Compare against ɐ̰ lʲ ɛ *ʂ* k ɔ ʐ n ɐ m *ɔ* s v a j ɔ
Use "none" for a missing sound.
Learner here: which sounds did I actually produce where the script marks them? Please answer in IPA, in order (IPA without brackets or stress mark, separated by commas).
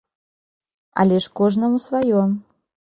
ʂ, u